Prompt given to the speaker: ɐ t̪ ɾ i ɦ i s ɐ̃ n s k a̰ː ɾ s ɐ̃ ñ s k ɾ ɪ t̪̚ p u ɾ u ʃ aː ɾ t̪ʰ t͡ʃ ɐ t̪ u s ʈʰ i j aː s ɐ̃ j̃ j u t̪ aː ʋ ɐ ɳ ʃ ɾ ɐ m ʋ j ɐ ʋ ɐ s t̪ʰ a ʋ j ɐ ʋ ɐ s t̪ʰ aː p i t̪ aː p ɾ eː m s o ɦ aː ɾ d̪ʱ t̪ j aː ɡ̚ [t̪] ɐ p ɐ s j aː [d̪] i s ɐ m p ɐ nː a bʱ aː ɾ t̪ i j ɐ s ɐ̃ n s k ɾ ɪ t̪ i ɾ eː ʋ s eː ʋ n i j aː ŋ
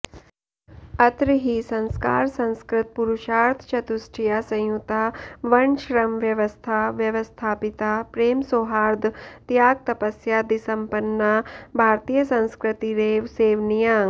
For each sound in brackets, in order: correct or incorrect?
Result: correct, correct

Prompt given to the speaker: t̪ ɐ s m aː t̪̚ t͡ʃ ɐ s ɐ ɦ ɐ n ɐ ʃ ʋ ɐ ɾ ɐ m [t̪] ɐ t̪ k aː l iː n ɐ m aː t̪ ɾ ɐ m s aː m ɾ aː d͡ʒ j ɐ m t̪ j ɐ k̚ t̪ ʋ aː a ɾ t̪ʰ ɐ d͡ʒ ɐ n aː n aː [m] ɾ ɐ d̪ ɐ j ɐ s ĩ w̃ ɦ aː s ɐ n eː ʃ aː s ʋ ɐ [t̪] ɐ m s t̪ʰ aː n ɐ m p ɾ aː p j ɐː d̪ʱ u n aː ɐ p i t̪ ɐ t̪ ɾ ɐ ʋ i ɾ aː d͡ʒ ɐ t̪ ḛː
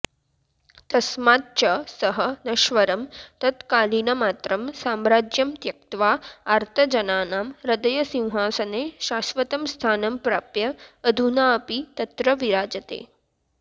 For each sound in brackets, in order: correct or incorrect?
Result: correct, correct, correct

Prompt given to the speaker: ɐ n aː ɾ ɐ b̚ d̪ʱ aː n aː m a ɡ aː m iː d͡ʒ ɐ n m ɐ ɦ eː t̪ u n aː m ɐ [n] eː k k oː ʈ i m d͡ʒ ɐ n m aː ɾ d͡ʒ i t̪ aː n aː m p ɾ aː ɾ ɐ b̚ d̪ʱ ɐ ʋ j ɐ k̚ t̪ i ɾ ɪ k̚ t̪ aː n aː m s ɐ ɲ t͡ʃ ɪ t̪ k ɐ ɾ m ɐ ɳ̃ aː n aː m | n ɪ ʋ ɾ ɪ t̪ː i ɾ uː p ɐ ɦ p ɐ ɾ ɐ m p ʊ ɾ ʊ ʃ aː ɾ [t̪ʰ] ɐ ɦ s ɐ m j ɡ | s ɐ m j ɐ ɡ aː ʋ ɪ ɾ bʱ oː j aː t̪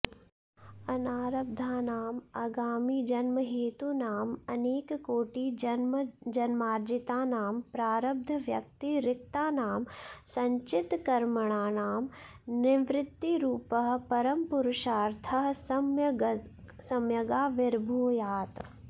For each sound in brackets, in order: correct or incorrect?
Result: correct, correct

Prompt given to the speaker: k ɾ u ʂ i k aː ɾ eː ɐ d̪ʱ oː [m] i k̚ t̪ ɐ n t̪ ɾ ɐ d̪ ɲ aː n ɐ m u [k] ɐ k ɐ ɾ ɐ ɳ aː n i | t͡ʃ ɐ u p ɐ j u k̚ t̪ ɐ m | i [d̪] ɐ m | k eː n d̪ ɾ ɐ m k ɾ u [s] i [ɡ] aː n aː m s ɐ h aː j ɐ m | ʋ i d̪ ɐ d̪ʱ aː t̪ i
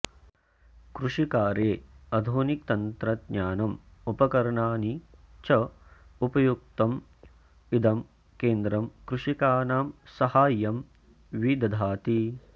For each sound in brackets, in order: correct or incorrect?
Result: incorrect: n, incorrect: p, correct, incorrect: ʂ, incorrect: k

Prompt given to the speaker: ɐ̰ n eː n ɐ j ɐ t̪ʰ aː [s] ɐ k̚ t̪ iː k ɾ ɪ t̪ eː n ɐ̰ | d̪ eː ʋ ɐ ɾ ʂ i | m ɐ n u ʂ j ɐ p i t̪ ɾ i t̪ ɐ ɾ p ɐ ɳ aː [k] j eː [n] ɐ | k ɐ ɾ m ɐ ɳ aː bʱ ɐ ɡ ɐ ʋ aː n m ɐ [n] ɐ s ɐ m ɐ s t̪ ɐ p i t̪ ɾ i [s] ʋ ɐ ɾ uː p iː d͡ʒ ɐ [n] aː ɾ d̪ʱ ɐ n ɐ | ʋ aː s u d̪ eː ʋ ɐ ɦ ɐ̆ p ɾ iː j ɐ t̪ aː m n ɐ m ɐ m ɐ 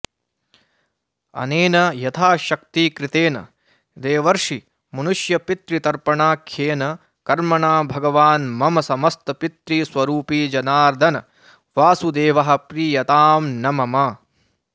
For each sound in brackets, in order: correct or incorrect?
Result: incorrect: ʃ, incorrect: kʰ, correct, incorrect: m, correct, correct

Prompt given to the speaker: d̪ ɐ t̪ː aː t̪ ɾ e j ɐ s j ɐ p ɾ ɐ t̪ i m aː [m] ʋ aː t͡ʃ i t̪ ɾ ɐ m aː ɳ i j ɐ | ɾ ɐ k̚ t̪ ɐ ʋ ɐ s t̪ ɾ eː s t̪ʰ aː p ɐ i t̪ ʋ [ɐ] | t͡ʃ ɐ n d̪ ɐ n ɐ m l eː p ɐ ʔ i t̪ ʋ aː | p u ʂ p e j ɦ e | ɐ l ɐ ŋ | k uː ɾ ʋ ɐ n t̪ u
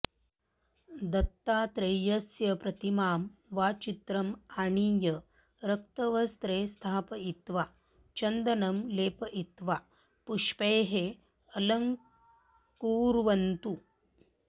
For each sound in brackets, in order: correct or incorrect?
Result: correct, incorrect: a

